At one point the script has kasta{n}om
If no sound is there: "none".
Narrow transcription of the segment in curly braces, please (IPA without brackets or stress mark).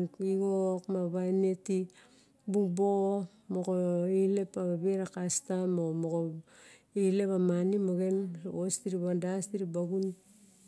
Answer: m